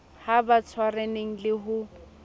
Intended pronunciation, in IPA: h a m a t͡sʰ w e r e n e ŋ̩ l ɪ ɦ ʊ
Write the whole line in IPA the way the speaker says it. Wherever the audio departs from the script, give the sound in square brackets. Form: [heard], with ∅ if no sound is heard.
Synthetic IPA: h a [b] a t͡sʰ w [a] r e n e ŋ̩ l ɪ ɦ ʊ